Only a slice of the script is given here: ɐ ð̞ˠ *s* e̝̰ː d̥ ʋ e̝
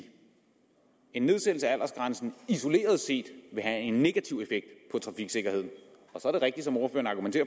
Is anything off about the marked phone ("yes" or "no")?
no